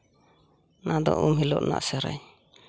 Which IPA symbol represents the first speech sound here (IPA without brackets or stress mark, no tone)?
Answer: n